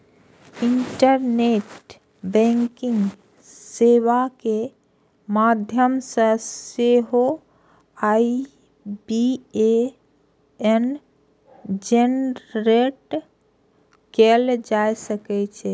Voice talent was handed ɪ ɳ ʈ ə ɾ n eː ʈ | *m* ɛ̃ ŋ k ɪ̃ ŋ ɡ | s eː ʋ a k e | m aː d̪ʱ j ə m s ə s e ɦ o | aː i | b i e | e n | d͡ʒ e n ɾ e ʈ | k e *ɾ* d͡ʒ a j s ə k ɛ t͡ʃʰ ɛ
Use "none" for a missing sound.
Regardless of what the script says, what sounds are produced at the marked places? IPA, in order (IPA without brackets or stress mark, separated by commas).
b, l